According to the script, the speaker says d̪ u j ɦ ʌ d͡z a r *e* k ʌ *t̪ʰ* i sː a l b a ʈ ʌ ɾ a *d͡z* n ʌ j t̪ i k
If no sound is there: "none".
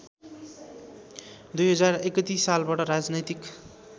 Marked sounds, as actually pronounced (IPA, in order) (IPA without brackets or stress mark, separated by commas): e, t̪, d͡z